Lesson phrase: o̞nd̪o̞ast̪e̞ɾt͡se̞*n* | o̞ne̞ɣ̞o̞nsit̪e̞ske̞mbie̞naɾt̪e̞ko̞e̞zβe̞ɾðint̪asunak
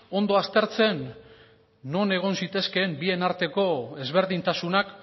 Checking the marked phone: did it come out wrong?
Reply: yes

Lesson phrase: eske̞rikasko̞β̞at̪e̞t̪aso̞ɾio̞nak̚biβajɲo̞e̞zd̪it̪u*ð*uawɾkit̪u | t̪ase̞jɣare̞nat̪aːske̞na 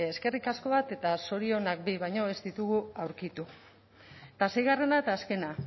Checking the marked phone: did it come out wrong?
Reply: yes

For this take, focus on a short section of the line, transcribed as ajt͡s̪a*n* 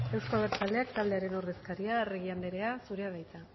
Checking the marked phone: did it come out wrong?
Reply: yes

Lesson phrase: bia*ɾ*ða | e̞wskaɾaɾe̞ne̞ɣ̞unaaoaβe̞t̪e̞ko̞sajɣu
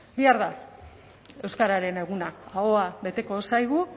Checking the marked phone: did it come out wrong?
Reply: no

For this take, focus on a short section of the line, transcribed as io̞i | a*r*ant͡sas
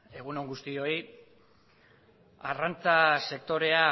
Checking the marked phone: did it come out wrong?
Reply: no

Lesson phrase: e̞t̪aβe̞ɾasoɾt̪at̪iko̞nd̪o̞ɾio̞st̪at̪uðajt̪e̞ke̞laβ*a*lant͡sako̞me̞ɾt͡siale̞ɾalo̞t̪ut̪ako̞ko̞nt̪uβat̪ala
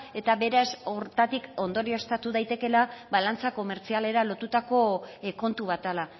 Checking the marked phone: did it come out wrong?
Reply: no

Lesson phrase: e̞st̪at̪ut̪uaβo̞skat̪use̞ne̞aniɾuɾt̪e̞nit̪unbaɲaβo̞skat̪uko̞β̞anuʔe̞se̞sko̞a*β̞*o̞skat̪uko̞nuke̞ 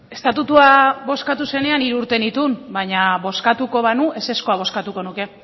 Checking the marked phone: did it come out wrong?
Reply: no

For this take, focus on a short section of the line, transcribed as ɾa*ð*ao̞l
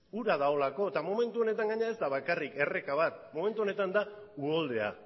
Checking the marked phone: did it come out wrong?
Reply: no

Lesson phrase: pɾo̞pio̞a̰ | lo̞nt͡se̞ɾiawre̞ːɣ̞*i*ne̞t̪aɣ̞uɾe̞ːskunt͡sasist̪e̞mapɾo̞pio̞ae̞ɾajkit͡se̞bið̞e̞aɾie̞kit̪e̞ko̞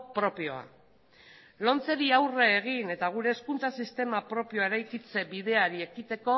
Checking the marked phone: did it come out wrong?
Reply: no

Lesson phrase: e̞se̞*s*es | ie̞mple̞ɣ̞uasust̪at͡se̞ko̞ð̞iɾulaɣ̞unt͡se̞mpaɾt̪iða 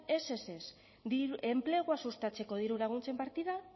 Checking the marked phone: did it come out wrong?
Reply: no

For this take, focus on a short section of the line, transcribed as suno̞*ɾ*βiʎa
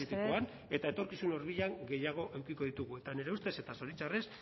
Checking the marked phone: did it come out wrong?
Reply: no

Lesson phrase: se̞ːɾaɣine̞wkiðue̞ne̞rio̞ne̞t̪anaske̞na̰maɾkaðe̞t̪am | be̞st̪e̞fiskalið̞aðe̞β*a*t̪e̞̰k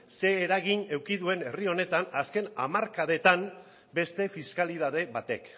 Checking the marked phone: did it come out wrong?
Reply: no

